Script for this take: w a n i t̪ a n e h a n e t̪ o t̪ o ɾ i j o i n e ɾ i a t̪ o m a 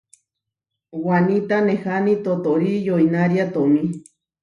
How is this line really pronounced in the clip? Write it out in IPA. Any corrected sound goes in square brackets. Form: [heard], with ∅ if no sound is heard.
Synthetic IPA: w a n i t̪ a n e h a n [i] t̪ o t̪ o ɾ i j o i n [a] ɾ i a t̪ o m [i]